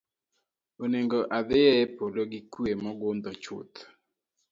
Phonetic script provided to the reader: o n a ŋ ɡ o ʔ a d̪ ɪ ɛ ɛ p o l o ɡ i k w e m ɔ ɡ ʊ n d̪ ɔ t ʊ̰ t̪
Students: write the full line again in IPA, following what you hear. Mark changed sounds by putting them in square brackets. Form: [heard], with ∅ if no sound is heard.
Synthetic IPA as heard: o n [e] ŋ ɡ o ʔ a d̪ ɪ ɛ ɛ p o l o ɡ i k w e m ɔ ɡ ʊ n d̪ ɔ [t͡ʃ] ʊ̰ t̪